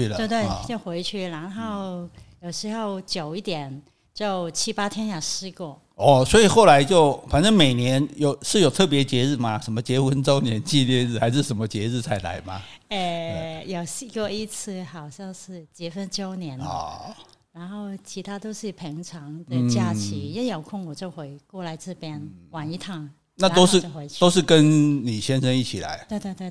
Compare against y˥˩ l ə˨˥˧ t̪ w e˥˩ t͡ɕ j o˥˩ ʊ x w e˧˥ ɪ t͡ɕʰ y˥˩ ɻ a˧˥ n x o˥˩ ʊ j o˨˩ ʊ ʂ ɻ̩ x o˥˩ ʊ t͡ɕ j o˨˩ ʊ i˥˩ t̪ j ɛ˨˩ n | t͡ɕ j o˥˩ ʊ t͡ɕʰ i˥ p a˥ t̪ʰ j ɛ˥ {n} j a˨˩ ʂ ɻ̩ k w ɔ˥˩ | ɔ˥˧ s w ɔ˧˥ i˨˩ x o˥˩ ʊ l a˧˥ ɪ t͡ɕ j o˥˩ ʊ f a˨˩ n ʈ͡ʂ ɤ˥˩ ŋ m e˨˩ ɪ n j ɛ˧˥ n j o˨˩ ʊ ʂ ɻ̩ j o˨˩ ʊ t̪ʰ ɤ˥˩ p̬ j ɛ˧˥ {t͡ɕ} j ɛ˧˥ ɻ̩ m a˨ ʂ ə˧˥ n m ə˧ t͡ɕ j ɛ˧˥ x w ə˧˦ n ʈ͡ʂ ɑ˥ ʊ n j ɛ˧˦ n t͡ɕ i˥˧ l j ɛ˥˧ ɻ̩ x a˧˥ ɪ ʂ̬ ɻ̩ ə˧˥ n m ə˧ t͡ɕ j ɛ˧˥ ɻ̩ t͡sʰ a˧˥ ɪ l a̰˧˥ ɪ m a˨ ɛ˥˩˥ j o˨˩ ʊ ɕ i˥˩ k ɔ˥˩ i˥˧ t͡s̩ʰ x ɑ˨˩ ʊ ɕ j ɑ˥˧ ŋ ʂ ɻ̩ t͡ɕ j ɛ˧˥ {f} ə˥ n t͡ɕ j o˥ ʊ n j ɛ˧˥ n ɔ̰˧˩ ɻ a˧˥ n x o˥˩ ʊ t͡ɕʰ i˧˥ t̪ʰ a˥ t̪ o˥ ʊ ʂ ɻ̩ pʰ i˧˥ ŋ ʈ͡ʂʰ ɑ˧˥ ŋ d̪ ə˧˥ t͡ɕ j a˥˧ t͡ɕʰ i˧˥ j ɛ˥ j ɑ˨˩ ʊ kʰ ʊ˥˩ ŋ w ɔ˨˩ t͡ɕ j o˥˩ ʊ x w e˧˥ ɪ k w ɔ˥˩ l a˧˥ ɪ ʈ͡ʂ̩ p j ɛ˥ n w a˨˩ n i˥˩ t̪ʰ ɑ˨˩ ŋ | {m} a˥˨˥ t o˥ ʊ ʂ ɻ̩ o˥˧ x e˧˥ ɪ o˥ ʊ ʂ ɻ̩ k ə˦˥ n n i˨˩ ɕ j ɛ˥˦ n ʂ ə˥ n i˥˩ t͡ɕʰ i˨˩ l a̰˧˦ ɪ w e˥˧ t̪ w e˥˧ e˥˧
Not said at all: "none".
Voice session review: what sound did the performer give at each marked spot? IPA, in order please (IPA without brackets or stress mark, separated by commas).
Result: n, t͡ɕ, f, n